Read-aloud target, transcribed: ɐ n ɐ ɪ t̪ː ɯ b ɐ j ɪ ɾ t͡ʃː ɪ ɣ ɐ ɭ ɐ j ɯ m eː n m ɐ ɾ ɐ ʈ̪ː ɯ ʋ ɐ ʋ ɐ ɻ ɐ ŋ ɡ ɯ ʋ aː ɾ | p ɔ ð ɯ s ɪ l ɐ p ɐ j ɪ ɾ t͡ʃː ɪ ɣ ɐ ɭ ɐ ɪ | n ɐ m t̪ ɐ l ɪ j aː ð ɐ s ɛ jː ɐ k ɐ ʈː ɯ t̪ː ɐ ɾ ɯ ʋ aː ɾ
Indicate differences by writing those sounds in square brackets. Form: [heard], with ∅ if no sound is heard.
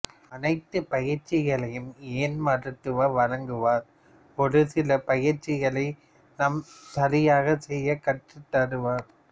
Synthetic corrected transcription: ɐ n ɐ ɪ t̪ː ɯ [p] ɐ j ɪ ɾ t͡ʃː ɪ ɣ ɐ ɭ ɐ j ɯ m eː n m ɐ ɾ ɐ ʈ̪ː ɯ ʋ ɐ ʋ ɐ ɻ ɐ ŋ ɡ ɯ ʋ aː ɾ | p ɔ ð ɯ s ɪ l ɐ p ɐ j ɪ ɾ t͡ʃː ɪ ɣ ɐ ɭ ɐ ɪ | n ɐ m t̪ ɐ l ɪ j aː [ɣ] ɐ s ɛ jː ɐ k ɐ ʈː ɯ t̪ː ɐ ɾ ɯ ʋ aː ɾ

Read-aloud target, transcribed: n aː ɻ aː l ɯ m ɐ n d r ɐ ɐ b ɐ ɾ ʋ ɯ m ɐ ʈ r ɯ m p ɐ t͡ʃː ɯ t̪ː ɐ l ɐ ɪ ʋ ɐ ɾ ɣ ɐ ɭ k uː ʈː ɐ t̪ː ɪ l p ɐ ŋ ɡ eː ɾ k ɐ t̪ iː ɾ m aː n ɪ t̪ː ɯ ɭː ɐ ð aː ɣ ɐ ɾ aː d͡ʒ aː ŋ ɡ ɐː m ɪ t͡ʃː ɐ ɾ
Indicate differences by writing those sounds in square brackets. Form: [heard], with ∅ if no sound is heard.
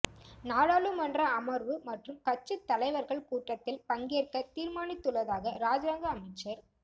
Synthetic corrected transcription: n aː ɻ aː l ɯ m ɐ n d r ɐ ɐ [m] ɐ ɾ ʋ ɯ m ɐ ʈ r ɯ m [k] ɐ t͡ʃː ɯ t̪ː ɐ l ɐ ɪ ʋ ɐ ɾ ɣ ɐ ɭ k uː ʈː ɐ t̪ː ɪ l p ɐ ŋ ɡ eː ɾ k ɐ t̪ iː ɾ m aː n ɪ t̪ː ɯ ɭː ɐ ð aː ɣ ɐ ɾ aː d͡ʒ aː ŋ ɡ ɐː m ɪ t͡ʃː ɐ ɾ

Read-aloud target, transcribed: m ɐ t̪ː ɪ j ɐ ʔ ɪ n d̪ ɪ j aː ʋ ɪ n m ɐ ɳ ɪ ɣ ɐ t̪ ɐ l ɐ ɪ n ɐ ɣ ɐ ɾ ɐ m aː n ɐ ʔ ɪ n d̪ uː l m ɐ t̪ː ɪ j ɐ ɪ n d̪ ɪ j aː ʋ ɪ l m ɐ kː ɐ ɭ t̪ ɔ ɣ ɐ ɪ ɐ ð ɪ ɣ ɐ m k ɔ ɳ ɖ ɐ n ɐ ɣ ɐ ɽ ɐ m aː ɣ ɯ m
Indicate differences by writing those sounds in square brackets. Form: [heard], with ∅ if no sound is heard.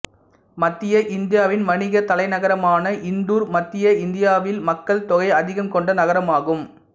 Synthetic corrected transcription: m ɐ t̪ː ɪ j ɐ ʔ ɪ n d̪ ɪ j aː ʋ ɪ n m ɐ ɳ ɪ ɣ ɐ t̪ ɐ l ɐ ɪ n ɐ ɣ ɐ ɾ ɐ m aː n ɐ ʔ ɪ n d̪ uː [ɾ] m ɐ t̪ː ɪ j ɐ ɪ n d̪ ɪ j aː ʋ ɪ l m ɐ kː ɐ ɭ t̪ ɔ ɣ ɐ ɪ ɐ ð ɪ ɣ ɐ m k ɔ ɳ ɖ ɐ n ɐ ɣ ɐ [ɾ] ɐ m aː ɣ ɯ m

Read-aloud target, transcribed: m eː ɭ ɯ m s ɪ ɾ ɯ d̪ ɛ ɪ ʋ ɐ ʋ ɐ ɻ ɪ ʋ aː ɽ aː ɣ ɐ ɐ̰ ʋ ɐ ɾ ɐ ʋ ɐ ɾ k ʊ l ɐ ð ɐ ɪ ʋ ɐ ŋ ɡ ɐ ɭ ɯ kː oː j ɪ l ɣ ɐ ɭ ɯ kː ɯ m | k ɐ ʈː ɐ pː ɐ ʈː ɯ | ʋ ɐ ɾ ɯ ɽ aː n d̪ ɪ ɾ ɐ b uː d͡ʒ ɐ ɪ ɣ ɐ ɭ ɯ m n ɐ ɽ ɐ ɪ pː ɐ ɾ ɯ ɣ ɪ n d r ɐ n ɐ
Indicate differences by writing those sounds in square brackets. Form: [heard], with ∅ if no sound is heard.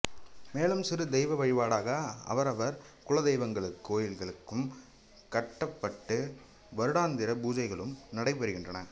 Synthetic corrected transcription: m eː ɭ ɯ m s ɪ ɾ ɯ d̪ ɛ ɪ ʋ ɐ ʋ ɐ ɻ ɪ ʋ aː ɽ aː ɣ ɐ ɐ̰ ʋ ɐ ɾ ɐ ʋ ɐ ɾ k ʊ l ɐ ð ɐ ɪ ʋ ɐ ŋ ɡ ɐ ɭ ɯ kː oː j ɪ l ɣ ɐ ɭ ɯ kː ɯ m | k ɐ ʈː ɐ pː ɐ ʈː ɯ | ʋ ɐ ɾ ɯ ɽ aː n d̪ ɪ ɾ ɐ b uː d͡ʒ ɐ ɪ ɣ ɐ ɭ ɯ m n ɐ ɽ ɐ ɪ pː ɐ ɾ ɯ ɣ ɪ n d r ɐ n ɐ

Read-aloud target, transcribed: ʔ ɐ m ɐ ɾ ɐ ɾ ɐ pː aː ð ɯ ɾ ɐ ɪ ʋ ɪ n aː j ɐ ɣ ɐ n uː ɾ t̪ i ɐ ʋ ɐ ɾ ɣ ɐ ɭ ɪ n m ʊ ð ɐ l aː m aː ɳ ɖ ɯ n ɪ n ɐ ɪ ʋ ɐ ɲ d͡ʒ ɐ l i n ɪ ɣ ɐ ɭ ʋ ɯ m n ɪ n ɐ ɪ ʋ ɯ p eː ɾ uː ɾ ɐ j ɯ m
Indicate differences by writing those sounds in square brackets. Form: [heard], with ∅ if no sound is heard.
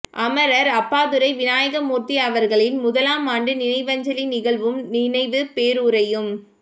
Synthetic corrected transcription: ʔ ɐ m ɐ ɾ ɐ ɾ ɐ pː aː ð ɯ ɾ ɐ ɪ ʋ ɪ n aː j ɐ ɣ ɐ [m] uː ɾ t̪ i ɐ ʋ ɐ ɾ ɣ ɐ ɭ ɪ n m ʊ ð ɐ l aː m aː ɳ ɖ ɯ n ɪ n ɐ ɪ ʋ ɐ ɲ d͡ʒ ɐ l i n ɪ ɣ ɐ ɭ ʋ ɯ m n ɪ n ɐ ɪ ʋ ɯ p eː ɾ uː ɾ ɐ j ɯ m

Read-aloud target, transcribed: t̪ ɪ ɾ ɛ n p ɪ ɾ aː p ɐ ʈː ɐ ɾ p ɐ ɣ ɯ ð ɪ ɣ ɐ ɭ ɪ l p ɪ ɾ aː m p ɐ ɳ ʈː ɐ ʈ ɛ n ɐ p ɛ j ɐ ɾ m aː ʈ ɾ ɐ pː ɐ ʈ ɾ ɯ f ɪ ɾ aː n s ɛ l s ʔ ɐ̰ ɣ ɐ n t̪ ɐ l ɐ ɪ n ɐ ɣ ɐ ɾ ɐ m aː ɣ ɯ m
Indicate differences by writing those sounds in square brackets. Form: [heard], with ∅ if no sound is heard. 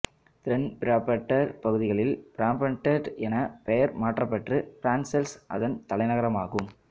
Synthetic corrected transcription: t̪ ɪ ɾ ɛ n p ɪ ɾ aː p ɐ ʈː ɐ ɾ p ɐ ɣ ɯ ð ɪ ɣ ɐ ɭ ɪ l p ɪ ɾ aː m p ɐ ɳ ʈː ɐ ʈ ɛ n ɐ p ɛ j ɐ ɾ m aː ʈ [r] ɐ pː ɐ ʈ [r] ɯ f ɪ ɾ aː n s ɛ l s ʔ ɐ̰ [ð] ɐ n t̪ ɐ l ɐ ɪ n ɐ ɣ ɐ ɾ ɐ m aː ɣ ɯ m

